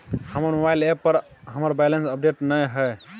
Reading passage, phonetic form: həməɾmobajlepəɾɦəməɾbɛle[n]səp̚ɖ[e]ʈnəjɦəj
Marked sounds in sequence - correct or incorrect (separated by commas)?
correct, correct